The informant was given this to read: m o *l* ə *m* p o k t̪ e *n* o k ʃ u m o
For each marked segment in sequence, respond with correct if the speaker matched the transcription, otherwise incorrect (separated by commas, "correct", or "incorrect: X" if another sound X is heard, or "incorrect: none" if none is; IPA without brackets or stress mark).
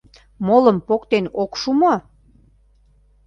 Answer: correct, correct, correct